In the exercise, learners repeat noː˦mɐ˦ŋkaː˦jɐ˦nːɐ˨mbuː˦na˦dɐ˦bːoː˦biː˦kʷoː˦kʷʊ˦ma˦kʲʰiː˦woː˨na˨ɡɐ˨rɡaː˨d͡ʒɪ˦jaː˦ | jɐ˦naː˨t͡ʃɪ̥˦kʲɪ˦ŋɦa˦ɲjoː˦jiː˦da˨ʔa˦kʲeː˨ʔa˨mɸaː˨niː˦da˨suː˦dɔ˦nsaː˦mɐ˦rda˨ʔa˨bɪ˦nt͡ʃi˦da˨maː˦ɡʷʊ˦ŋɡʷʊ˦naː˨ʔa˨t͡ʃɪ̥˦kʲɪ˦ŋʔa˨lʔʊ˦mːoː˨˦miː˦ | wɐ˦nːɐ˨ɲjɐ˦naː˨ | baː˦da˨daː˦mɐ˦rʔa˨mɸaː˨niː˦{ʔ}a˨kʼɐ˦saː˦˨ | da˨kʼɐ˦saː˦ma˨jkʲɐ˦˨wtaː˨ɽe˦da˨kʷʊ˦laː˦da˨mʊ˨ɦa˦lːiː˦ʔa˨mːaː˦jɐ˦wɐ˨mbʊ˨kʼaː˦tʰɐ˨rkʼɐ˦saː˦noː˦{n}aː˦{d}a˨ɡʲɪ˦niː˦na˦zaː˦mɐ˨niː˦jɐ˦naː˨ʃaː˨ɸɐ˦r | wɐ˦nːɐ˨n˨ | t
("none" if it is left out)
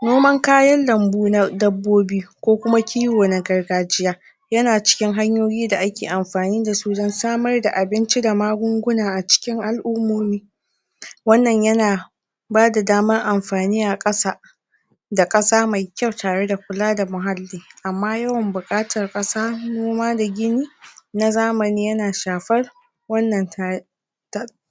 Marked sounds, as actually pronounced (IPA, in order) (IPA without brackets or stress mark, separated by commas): ʔ, m, d